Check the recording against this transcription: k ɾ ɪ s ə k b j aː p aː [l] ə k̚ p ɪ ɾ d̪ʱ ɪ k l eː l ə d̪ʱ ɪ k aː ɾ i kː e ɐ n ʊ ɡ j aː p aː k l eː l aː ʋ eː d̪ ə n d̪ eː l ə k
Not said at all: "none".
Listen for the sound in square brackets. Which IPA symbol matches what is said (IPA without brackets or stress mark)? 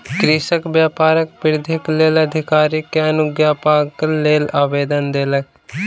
ɾ